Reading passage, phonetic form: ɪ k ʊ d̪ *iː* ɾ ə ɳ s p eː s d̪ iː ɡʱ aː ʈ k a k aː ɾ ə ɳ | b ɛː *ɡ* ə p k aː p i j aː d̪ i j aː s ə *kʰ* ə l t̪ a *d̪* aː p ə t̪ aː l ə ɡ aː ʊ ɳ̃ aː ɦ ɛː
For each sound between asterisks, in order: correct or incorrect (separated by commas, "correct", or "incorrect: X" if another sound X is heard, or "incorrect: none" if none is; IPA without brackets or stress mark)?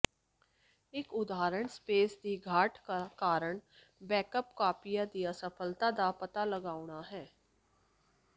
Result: incorrect: aː, incorrect: k, incorrect: pʰ, correct